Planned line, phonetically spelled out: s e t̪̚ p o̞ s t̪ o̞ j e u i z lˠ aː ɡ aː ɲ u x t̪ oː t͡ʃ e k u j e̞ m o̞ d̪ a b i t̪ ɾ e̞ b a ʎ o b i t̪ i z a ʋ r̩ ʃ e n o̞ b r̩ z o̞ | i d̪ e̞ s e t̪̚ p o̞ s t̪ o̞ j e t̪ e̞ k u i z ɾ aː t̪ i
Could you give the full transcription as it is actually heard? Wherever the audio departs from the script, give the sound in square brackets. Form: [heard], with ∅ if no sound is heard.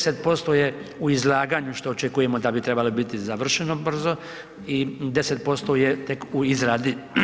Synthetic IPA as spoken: s e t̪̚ p o̞ s t̪ o̞ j e u i z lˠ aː ɡ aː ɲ u [ʃ] t̪ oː t͡ʃ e k u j e̞ m o̞ d̪ a b i t̪ ɾ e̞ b a [l] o b i t̪ i z a ʋ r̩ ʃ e n o̞ b r̩ z o̞ | i d̪ e̞ s e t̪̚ p o̞ s t̪ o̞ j e t̪ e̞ k u i z ɾ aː [d̪] i